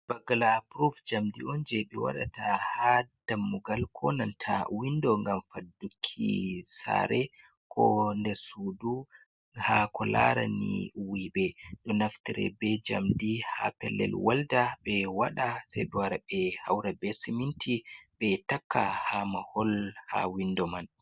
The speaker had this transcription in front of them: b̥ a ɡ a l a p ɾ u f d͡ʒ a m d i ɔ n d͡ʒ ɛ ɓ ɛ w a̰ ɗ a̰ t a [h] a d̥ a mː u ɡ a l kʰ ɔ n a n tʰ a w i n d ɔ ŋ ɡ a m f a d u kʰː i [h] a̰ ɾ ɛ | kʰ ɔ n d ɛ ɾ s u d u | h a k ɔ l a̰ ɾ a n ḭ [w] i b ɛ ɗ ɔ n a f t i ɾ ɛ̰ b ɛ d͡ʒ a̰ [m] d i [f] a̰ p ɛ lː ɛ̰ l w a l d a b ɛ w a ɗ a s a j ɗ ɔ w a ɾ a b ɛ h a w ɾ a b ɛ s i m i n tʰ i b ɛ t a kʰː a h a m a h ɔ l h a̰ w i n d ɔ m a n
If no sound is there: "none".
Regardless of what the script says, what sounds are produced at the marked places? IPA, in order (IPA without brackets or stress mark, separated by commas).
h, s, w, m, h